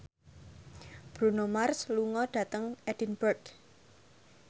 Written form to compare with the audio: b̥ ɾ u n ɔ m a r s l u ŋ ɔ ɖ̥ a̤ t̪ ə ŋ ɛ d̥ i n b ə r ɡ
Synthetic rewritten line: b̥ ɾ u n o m a r s l u ŋ ɔ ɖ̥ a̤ t̪ ə ŋ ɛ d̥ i n b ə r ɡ